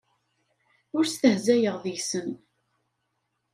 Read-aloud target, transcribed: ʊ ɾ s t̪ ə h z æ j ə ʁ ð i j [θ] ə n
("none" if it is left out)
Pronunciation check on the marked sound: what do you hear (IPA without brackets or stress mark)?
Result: s